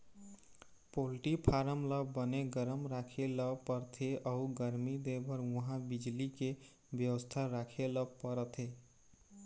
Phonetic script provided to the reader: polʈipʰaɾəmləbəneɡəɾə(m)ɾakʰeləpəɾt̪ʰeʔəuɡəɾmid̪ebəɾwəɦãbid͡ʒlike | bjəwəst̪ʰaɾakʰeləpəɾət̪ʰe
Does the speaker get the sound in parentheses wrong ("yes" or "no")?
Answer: no